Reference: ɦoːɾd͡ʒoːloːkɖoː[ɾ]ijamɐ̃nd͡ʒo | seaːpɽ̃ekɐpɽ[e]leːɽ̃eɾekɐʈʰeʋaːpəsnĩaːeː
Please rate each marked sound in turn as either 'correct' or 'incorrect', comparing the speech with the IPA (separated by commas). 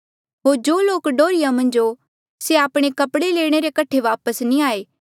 correct, correct